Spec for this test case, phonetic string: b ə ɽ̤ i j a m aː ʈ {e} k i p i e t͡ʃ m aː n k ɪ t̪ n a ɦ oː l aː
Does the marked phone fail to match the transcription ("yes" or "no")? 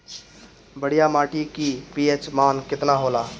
yes